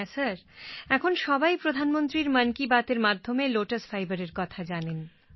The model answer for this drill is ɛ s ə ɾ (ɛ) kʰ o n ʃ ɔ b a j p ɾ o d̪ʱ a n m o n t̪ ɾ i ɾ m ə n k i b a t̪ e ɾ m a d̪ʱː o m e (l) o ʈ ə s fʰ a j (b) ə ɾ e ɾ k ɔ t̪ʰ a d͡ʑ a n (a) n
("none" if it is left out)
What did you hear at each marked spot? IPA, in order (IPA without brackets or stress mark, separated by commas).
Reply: ɛ, l, b, e